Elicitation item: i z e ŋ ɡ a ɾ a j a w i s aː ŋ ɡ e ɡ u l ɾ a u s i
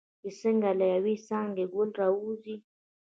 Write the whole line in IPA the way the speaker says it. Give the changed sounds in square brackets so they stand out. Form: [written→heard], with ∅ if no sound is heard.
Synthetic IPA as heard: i [z→s] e ŋ ɡ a [ɾ→l] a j a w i s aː ŋ ɡ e ɡ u l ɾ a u [s→z] i